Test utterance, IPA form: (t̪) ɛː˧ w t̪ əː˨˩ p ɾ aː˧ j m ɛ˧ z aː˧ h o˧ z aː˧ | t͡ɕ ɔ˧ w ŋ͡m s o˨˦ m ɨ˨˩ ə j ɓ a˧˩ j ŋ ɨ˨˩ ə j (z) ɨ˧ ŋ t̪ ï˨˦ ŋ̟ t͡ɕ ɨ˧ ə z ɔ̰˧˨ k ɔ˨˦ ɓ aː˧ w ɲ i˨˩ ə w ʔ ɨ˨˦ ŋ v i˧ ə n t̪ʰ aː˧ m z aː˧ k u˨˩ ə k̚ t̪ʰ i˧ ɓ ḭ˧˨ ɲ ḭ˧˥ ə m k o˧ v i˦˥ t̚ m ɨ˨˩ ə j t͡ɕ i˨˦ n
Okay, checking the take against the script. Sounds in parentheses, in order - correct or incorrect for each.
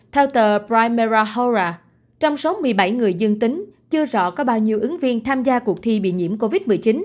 incorrect: t̪ʰ, correct

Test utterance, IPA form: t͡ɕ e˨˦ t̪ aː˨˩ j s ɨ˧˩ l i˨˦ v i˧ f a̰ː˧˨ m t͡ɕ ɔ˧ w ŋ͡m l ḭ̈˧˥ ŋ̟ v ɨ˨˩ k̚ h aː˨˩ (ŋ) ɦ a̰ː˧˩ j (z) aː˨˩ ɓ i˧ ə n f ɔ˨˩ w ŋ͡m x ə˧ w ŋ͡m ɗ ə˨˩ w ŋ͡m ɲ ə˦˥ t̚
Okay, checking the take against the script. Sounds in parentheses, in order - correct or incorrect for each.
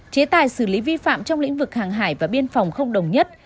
correct, incorrect: v

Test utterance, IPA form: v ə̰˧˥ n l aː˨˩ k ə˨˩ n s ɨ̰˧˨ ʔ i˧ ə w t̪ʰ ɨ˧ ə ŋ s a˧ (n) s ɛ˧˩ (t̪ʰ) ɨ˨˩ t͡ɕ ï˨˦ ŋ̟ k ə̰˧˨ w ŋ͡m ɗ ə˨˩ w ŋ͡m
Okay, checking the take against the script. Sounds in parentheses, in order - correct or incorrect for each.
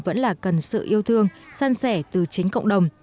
correct, incorrect: t̪

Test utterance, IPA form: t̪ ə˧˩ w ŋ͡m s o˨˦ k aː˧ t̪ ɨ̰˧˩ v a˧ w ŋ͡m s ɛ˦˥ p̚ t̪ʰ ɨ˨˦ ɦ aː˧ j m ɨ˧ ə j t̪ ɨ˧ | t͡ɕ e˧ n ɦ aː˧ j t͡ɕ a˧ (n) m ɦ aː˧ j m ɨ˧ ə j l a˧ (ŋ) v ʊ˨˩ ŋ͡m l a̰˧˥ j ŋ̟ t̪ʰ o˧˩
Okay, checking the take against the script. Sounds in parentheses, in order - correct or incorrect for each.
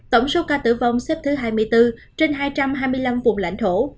incorrect: none, incorrect: m

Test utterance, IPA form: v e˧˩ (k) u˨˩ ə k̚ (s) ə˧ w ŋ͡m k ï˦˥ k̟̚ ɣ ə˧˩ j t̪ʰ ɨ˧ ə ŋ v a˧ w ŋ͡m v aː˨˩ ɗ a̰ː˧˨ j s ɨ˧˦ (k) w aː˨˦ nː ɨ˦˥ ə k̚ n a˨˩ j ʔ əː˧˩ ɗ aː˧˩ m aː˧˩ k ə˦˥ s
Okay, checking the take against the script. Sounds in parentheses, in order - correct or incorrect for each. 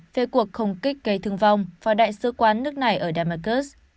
correct, incorrect: x, correct

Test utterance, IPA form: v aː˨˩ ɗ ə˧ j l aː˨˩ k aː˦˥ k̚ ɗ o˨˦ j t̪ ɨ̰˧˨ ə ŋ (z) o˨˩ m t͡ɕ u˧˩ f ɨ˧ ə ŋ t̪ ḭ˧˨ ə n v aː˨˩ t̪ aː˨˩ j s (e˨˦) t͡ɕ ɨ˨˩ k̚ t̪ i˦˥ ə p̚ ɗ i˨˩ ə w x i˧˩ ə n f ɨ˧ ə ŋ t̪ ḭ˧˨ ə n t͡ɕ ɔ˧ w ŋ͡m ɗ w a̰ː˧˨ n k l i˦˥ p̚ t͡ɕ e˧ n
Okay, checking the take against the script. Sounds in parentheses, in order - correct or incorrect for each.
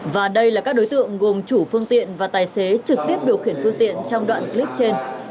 incorrect: ɣ, correct

